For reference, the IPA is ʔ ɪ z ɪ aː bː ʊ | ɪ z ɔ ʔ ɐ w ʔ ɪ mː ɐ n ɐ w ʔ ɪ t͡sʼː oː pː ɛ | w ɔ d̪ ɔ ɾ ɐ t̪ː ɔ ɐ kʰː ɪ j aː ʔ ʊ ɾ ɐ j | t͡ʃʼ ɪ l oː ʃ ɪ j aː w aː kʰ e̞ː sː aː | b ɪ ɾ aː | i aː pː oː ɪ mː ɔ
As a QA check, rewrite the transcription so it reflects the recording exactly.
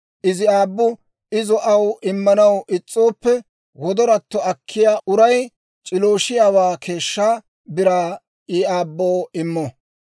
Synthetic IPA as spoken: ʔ ɪ z ɪ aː bː ʊ | ɪ z ɔ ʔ ɐ w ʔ ɪ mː ɐ n ɐ w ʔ ɪ t͡sʼː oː pː ɛ | w ɔ d̪ ɔ ɾ ɐ t̪ː ɔ ɐ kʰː ɪ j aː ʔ ʊ ɾ ɐ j | t͡ʃʼ ɪ l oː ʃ ɪ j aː w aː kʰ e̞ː ʃː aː | b ɪ ɾ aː | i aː bː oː ɪ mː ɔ